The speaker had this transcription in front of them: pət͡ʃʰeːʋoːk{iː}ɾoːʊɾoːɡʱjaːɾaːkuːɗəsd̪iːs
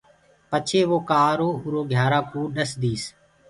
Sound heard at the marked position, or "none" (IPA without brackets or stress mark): aː